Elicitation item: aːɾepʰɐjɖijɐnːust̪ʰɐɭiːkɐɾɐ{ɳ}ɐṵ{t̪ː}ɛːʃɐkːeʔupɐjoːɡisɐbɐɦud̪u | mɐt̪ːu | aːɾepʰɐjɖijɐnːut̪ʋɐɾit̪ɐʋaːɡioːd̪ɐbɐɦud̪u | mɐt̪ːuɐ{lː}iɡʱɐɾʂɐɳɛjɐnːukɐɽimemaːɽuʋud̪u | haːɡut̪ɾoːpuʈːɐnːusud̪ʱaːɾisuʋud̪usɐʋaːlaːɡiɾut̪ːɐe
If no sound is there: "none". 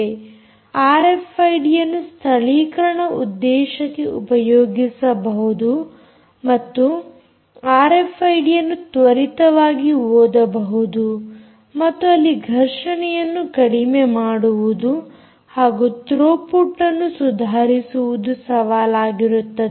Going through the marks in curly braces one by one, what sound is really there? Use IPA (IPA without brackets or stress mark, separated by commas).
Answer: ɳ, d̪ː, lː